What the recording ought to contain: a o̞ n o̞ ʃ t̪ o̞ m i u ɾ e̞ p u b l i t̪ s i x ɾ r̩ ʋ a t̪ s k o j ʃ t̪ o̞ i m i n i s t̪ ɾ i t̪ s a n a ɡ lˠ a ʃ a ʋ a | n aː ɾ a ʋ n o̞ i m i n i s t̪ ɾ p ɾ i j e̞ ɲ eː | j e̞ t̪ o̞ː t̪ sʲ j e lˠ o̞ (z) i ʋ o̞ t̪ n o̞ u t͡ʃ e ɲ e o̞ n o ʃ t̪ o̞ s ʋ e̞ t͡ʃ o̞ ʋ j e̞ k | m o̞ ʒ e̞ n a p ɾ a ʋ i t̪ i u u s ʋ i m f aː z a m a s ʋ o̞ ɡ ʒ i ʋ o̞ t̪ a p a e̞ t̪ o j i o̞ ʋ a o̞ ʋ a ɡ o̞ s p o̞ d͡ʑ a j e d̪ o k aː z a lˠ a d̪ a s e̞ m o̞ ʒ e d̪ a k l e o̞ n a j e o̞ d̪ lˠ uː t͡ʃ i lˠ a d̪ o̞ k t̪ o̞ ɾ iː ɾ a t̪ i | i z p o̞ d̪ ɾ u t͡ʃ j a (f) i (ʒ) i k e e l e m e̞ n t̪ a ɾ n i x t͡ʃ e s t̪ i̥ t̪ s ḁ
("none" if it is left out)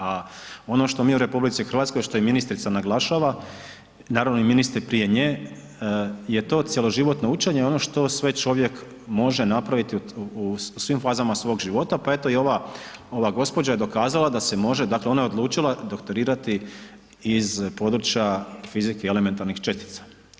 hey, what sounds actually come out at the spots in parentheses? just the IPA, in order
ʒ, f, z

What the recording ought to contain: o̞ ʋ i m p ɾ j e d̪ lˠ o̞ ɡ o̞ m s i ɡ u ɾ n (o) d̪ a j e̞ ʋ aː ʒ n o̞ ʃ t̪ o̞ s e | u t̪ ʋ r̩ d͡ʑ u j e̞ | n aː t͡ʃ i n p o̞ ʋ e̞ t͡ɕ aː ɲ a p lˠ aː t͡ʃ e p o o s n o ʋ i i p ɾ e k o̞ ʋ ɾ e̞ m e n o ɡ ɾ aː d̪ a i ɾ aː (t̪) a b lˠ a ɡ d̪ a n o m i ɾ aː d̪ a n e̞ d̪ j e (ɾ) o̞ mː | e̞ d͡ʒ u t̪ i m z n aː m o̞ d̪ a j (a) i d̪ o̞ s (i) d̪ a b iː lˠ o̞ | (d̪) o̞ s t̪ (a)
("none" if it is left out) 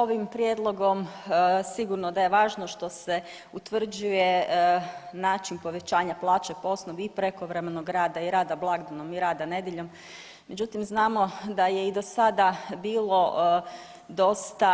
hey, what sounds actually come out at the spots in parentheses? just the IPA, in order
o, d̪, ʎ, e, a, d̪, a

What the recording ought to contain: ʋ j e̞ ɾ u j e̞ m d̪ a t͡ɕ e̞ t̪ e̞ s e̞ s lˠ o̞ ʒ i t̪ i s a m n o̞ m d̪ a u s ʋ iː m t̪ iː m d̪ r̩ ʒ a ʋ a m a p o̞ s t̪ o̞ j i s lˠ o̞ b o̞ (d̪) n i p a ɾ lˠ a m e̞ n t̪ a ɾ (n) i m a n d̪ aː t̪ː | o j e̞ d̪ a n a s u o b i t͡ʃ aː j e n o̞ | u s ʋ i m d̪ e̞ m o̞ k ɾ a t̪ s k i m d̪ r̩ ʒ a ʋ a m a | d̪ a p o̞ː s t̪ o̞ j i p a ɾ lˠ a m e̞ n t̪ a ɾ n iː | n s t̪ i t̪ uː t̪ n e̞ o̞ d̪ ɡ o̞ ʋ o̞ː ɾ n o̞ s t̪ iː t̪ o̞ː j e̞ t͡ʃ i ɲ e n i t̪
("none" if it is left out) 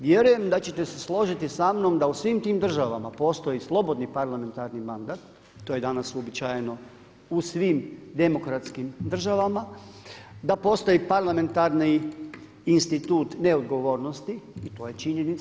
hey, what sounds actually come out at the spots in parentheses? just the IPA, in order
d̪, n

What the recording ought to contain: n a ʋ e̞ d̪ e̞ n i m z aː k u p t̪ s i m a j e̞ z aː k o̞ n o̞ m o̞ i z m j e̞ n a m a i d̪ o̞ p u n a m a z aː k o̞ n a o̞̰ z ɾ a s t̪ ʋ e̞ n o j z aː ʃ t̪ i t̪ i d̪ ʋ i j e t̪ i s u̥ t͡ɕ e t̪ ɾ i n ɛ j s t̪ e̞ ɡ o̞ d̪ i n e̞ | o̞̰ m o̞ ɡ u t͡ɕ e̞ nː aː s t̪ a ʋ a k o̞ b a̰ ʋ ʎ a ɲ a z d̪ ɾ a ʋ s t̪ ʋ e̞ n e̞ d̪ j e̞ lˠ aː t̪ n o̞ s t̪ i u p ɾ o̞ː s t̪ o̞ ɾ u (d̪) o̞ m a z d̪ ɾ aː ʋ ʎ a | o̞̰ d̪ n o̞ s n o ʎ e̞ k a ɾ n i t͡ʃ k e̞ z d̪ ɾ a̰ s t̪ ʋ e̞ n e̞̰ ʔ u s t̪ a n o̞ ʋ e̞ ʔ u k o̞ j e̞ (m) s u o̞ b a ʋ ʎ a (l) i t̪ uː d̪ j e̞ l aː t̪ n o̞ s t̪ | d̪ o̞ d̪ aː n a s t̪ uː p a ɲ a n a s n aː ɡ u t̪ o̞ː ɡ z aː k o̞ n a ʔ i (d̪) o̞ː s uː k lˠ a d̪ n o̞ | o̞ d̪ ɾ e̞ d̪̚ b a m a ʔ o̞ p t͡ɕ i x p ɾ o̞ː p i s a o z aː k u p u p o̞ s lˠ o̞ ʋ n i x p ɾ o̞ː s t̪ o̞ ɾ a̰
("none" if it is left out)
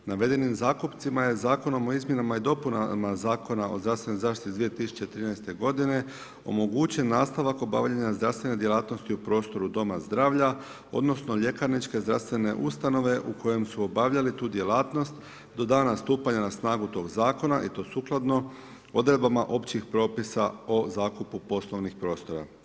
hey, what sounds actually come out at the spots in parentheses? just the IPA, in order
d̪, m, l, t̪

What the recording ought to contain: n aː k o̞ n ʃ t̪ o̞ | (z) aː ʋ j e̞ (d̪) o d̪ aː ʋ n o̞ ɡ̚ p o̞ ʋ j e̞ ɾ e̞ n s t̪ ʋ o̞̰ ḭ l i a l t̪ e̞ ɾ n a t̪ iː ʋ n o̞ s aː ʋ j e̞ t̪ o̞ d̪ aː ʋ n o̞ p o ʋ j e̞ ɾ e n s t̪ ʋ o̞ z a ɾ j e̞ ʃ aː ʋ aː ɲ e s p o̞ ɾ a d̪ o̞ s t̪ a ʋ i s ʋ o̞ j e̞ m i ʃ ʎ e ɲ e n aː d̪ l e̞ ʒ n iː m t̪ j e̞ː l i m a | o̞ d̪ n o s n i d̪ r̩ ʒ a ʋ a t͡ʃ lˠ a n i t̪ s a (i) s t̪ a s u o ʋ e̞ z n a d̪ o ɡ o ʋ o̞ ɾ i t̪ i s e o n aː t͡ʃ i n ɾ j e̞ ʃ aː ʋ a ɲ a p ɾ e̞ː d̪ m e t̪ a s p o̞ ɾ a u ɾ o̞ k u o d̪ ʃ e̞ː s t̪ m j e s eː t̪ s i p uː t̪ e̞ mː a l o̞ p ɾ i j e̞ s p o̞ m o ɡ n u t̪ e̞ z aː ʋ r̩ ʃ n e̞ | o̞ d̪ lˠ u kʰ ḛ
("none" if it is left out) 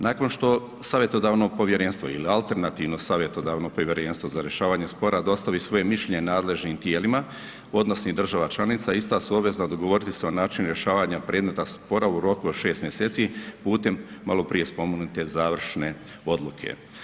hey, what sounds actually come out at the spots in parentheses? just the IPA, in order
s, t̪, i

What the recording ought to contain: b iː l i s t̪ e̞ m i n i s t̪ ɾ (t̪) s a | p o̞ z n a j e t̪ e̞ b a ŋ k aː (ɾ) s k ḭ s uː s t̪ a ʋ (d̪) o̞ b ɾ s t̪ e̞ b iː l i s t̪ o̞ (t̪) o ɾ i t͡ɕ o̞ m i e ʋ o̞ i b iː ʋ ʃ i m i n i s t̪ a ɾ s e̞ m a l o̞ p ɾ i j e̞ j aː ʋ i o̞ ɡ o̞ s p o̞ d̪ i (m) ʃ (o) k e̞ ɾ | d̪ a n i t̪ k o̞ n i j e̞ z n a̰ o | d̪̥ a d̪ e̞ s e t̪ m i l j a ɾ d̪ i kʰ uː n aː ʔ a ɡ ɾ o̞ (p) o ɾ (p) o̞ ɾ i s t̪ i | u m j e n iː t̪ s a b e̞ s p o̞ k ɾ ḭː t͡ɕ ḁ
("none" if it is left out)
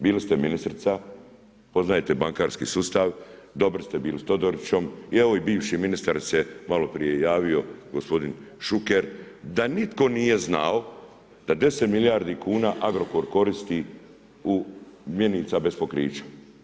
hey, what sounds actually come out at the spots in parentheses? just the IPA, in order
t̪, ɾ, d̪, d̪, n, u, k, k

